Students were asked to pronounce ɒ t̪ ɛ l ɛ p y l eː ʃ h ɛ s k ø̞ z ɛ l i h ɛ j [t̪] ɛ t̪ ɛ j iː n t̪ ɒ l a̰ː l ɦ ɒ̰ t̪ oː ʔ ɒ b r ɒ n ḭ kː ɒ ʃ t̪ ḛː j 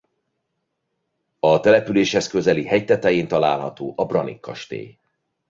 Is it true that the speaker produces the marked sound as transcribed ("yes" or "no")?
yes